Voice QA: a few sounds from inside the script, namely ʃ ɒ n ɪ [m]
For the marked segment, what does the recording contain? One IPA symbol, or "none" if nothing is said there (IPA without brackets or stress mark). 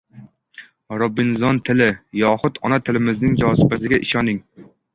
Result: ŋ